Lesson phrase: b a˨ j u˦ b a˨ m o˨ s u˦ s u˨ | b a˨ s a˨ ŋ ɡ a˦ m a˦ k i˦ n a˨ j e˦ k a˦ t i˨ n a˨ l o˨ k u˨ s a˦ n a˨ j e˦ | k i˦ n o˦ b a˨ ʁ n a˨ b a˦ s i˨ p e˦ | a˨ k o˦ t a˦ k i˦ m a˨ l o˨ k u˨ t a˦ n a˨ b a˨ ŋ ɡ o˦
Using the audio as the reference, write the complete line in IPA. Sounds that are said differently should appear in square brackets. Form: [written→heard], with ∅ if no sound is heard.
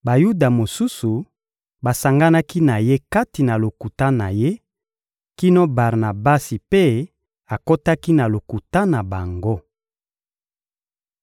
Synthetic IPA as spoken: b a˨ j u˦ [b→d] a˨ m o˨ s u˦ s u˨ | b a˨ s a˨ ŋ ɡ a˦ [m→n] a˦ k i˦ n a˨ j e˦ k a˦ t i˨ n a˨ l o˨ k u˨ [s→t] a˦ n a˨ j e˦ | k i˦ n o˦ b a˨ ʁ n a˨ b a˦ s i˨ p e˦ | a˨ k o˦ t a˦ k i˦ [m→n] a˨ l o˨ k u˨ t a˦ n a˨ b a˨ ŋ ɡ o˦

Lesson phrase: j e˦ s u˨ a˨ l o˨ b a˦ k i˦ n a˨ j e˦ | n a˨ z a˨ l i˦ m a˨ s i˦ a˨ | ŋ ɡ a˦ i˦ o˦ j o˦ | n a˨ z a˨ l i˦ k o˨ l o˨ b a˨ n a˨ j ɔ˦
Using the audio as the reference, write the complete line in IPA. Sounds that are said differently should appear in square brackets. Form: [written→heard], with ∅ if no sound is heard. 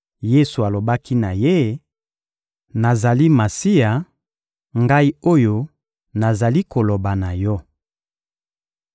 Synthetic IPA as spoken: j e˦ s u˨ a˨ l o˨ b a˦ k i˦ n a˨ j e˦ | n a˨ z a˨ l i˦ m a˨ s i˦ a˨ | ŋ ɡ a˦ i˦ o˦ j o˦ | n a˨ z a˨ l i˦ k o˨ l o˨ b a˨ n a˨ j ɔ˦

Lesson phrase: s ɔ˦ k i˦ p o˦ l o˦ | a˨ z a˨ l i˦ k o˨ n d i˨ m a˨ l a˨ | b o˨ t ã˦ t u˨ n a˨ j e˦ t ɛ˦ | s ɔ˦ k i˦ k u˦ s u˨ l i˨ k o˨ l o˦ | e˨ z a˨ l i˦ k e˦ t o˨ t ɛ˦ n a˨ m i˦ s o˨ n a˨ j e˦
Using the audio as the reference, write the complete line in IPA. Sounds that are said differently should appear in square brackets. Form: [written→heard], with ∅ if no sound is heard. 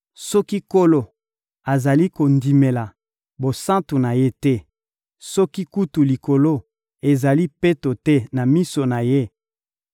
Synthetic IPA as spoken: s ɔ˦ k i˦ [p→k] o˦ l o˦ | a˨ z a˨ l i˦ k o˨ n d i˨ m [a˨→e˨] l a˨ | b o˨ [t→s] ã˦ t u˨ n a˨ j e˦ t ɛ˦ | s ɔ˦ k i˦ k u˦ [s→t] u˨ l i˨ k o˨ l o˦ | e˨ z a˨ l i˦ [k→p] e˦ t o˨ t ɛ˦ n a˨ m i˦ s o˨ n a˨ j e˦

